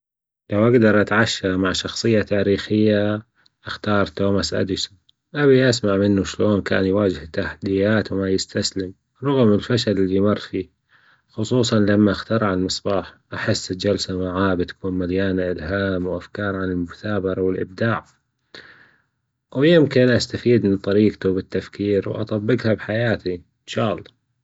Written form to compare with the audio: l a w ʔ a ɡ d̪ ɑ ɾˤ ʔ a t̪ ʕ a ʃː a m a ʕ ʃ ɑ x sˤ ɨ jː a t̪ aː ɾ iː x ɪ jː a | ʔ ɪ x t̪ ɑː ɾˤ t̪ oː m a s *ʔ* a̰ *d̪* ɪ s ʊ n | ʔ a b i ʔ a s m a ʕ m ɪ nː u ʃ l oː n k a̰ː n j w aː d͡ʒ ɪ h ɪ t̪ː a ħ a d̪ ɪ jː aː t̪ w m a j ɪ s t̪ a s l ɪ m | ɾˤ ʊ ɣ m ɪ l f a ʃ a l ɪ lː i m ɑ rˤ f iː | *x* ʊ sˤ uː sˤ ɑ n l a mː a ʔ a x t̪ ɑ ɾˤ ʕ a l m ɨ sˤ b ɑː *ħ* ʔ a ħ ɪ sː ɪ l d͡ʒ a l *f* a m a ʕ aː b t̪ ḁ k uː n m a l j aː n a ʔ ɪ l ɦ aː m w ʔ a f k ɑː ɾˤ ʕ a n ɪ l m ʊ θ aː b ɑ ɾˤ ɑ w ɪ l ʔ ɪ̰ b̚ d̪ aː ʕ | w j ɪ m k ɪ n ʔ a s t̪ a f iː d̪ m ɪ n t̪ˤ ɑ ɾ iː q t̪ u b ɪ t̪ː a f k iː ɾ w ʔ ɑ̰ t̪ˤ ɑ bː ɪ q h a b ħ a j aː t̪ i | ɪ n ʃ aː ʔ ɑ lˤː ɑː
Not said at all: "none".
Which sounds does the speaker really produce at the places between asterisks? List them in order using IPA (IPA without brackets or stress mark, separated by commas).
ʔ, d̪, x, ħ, s